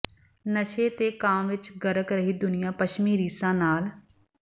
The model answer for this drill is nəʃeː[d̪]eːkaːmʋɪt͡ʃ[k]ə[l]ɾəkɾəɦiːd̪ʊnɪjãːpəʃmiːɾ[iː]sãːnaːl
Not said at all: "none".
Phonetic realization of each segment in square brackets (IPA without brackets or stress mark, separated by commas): t̪, ɡ, none, iː